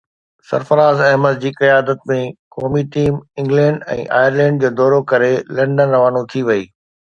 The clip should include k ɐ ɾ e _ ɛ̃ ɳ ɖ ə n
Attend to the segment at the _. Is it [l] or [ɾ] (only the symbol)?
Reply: l